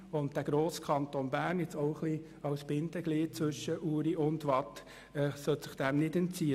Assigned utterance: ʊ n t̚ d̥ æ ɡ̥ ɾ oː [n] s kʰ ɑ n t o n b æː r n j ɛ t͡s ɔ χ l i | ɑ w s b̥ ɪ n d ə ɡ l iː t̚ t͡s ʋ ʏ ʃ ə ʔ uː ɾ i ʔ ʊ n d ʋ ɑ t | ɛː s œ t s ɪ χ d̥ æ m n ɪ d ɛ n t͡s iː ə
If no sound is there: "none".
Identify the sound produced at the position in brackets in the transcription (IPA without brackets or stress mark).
none